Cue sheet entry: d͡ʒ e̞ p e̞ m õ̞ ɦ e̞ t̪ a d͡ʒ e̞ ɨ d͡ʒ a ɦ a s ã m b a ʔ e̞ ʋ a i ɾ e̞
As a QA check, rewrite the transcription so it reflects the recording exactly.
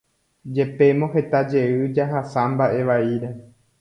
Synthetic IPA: d͡ʒ e̞ p e̞ m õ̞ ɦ e̞ t̪ a d͡ʒ e̞ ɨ d͡ʒ a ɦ a s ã m b a ʔ e̞ ʋ a i ɾ e̞